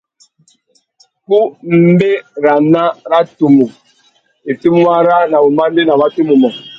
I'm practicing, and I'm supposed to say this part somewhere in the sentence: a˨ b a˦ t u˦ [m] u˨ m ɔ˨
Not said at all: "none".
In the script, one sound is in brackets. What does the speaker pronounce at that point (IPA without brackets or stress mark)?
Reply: m